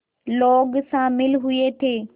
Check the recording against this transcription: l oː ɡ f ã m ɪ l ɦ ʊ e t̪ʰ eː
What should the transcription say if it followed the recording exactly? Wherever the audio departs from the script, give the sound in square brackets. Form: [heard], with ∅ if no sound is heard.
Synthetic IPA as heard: l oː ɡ [s] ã m ɪ l ɦ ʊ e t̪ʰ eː